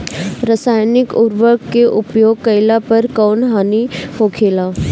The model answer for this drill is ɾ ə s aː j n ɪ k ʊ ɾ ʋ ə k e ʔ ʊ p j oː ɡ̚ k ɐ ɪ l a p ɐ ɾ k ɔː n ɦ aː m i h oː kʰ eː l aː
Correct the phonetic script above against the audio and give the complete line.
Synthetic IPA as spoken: ɾ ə s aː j n ɪ k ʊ ɾ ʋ ə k e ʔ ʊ p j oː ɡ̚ k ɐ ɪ l a p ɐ ɾ k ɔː n ɦ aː n i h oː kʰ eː l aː